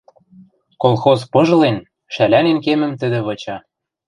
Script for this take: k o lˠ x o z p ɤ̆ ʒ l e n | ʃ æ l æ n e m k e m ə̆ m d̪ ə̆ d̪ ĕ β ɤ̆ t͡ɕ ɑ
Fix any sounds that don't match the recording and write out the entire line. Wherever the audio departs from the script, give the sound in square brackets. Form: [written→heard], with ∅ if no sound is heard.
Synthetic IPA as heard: k o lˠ x o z p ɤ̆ ʒ l e n | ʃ æ l æ n e [m→n] k e m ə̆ m [d̪→t̪] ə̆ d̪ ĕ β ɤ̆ t͡ɕ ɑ